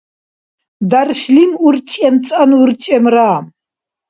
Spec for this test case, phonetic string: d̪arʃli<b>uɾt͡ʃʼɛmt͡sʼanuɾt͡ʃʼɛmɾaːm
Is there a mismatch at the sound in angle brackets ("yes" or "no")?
yes